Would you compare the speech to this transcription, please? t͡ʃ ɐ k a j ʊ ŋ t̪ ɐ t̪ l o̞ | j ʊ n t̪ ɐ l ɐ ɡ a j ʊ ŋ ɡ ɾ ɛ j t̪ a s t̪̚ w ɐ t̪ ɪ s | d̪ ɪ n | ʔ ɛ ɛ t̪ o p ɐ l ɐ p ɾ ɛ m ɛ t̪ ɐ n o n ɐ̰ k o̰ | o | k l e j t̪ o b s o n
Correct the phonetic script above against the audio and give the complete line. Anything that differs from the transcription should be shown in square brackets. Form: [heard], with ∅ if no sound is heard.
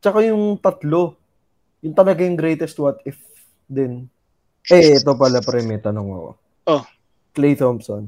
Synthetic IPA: t͡ʃ ɐ k a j ʊ ŋ t̪ ɐ t̪ l o̞ | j ʊ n t̪ ɐ l ɐ ɡ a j ʊ ŋ ɡ ɾ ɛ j t̪ [ɛ] s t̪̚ w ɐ t̪ ɪ [f] | d̪ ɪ n | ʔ ɛ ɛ t̪ o p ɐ l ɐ p ɾ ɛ m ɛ t̪ ɐ n o [ŋ] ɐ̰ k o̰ | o | k l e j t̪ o [m] s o n